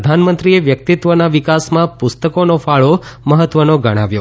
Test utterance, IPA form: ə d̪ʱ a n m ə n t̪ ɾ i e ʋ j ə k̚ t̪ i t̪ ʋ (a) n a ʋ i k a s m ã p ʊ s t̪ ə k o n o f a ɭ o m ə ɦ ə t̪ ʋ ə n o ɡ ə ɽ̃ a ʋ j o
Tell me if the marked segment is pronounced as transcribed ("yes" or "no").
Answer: no